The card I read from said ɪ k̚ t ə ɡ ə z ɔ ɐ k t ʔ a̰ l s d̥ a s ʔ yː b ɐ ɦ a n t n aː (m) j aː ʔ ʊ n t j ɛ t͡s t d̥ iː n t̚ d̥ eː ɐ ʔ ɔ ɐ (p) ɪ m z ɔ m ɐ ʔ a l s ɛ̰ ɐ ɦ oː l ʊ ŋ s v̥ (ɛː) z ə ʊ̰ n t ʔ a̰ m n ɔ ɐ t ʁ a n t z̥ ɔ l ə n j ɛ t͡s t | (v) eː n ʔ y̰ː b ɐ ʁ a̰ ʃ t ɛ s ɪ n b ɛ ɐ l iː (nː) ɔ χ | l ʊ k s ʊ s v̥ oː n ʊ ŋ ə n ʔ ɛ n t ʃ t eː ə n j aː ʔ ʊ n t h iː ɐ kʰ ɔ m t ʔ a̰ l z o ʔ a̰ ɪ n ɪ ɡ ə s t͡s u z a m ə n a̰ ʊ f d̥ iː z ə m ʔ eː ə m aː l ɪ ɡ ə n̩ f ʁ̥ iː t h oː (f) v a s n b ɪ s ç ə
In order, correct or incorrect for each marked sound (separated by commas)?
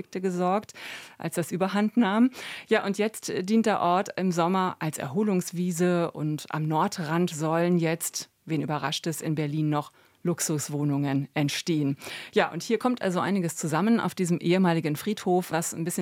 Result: correct, incorrect, incorrect, correct, correct, correct